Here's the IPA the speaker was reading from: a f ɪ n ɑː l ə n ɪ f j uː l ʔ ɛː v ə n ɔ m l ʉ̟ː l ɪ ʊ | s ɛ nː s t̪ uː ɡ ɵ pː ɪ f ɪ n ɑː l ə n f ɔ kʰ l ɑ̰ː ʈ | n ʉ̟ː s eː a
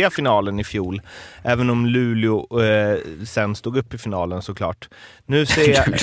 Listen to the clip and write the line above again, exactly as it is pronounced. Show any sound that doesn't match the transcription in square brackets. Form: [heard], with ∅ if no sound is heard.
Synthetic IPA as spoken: a f ɪ n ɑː l ə n ɪ f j uː l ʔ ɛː v ə n ɔ m l ʉ̟ː l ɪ ʊ | s ɛ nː s t̪ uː ɡ ɵ pː ɪ f ɪ n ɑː l ə n [s] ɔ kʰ l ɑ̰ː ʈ | n ʉ̟ː s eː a